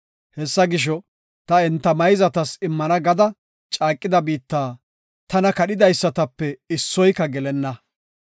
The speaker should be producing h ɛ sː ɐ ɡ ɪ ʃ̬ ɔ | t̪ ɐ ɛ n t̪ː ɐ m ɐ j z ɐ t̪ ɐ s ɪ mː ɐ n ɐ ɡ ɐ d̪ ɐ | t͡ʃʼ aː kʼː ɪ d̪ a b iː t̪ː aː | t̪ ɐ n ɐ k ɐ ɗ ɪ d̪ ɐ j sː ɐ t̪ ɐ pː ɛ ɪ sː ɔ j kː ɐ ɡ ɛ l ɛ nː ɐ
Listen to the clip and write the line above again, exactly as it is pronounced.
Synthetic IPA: h ɛ sː ɐ ɡ ɪ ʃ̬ ɔ | t̪ ɐ ɛ n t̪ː ɐ m ɐ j z ɐ t̪ ɐ s ɪ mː ɐ n ɐ ɡ ɐ d̪ ɐ | t͡ʃʼ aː kʼː ɪ d̪ ɐ b iː t̪ː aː | t̪ ɐ n ɐ k ɐ ɗ ɪ d̪ ɐ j sː ɐ t̪ ɐ pː ɛ ɪ sː ɔ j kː ɐ ɡ ɛ l ɛ nː ɐ